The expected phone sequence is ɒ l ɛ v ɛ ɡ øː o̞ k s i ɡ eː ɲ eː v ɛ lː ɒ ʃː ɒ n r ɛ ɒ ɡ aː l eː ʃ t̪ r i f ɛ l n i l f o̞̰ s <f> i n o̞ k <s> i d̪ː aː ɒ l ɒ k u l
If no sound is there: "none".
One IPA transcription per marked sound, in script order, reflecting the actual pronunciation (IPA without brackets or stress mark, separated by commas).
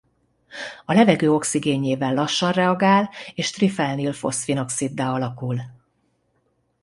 f, s